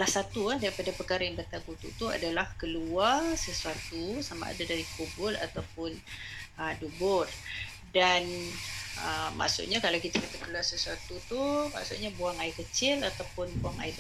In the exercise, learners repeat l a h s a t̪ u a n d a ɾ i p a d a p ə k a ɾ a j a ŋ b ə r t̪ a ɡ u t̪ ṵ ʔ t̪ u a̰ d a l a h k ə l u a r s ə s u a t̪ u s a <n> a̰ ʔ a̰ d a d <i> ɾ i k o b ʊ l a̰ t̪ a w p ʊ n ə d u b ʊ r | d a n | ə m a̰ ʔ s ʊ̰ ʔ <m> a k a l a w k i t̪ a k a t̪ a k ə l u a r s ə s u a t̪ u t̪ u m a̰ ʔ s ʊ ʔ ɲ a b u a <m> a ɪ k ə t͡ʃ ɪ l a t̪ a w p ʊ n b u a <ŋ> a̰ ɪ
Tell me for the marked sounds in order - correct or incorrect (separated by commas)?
incorrect, incorrect, incorrect, incorrect, correct